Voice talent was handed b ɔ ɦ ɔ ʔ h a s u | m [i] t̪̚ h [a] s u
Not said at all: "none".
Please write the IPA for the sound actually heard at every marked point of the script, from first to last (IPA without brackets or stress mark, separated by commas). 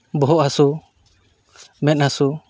ɛ, a